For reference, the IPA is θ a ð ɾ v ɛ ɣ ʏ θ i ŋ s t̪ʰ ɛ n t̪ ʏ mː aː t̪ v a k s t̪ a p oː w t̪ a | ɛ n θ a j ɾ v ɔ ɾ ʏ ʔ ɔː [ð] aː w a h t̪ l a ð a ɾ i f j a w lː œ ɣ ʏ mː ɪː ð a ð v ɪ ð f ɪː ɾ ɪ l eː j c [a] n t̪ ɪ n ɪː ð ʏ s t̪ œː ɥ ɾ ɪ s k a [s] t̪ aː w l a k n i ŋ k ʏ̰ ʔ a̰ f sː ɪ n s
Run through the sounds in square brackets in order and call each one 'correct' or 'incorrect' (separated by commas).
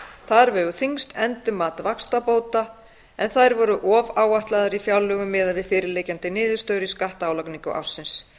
incorrect, correct, incorrect